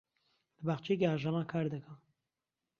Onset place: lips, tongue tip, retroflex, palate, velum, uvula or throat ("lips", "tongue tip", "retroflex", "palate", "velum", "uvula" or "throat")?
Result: tongue tip